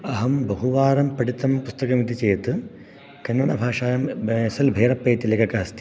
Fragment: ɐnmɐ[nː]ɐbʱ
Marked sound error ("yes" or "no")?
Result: yes